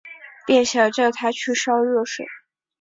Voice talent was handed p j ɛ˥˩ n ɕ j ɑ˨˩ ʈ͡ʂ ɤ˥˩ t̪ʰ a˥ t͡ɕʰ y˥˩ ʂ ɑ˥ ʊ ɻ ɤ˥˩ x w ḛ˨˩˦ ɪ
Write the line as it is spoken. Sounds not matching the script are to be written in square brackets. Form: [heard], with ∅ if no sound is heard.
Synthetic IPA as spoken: p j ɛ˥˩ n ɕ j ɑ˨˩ ʈ͡ʂ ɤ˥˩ t̪ʰ a˥ t͡ɕʰ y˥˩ ʂ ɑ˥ ʊ ɻ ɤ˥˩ [ʂ] w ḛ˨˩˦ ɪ